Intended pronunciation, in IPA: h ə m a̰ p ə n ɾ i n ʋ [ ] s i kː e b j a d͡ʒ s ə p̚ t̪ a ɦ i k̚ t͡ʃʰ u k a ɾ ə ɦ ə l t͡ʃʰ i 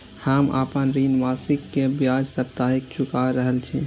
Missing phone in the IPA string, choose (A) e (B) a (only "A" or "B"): B